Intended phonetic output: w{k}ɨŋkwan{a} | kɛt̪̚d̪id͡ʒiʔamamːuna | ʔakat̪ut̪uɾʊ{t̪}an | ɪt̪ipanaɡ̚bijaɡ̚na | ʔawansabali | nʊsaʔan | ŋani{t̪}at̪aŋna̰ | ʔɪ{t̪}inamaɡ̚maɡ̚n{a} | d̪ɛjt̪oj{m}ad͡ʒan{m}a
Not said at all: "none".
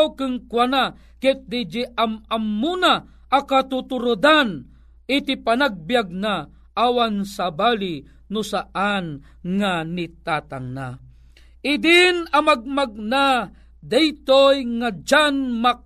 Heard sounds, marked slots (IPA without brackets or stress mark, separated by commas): k, a, d̪, t̪, d̪, a, ŋ, m